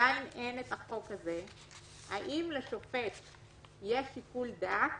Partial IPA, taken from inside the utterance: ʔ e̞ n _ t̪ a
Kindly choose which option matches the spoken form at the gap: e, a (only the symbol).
e